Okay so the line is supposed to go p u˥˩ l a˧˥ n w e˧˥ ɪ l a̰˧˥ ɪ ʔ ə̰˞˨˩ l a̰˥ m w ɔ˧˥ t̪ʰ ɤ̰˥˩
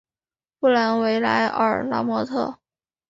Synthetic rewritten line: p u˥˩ l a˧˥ n w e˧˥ ɪ l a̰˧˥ ɪ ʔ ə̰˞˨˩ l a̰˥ m w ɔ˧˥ t̪ʰ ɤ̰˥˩